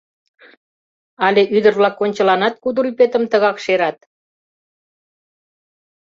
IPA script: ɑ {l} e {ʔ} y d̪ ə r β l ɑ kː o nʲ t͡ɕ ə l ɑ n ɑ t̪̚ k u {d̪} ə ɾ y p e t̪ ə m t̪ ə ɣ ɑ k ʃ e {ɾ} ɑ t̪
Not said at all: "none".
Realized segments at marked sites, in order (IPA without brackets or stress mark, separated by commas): l, ʔ, d̪, ɾ